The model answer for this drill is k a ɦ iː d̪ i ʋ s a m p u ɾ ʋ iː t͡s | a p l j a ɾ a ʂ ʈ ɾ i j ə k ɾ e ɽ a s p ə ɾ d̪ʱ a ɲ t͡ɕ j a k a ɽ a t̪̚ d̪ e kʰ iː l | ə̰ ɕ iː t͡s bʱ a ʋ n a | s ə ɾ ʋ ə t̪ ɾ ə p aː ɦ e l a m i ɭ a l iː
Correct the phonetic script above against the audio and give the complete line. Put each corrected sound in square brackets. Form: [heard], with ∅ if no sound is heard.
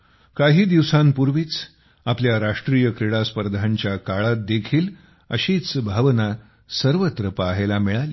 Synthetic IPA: k a ɦ iː d̪ i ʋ s a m p u ɾ ʋ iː t͡s | a p l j a ɾ a ʂ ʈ ɾ i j ə k ɾ e ɽ a s p ə ɾ d̪ʱ a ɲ t͡ɕ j a k a [ɭ] a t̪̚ d̪ e kʰ iː l | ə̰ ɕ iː t͡s bʱ a ʋ n a | s ə ɾ ʋ ə t̪ ɾ ə p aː ɦ e l a m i ɭ a l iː

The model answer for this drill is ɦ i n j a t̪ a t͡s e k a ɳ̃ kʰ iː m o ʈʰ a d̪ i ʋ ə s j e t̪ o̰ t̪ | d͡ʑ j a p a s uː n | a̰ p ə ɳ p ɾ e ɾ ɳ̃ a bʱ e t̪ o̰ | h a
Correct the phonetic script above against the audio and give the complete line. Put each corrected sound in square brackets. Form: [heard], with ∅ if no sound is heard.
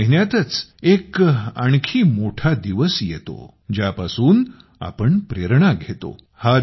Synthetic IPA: ɦ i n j a t̪ [ə] t͡s e k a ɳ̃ kʰ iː m o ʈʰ a d̪ i ʋ ə s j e t̪ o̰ [∅] | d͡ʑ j a p a s uː n | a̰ p ə ɳ p ɾ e ɾ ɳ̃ a [ɡʱ] e t̪ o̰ | h a

